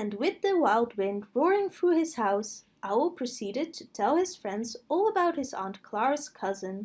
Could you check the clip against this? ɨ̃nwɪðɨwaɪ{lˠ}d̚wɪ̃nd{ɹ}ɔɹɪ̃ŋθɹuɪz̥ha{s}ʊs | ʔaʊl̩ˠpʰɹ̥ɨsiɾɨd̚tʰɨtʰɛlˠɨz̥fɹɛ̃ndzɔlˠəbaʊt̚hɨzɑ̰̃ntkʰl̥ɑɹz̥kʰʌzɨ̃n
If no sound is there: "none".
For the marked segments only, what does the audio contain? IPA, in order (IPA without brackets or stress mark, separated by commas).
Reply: lˠ, ɹ, none